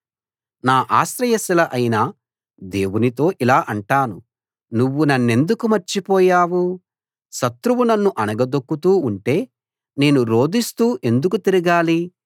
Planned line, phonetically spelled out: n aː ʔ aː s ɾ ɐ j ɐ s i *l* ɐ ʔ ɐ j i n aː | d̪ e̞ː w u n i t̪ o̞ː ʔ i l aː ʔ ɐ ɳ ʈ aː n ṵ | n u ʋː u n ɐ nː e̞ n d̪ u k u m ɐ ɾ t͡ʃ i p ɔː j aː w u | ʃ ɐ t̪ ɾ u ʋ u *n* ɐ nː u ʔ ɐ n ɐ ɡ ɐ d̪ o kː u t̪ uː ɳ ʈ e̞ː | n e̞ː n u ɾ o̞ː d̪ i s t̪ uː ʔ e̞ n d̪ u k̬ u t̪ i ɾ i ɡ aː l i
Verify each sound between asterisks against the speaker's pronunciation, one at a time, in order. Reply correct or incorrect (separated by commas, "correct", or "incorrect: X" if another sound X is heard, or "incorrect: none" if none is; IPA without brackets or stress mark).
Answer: correct, correct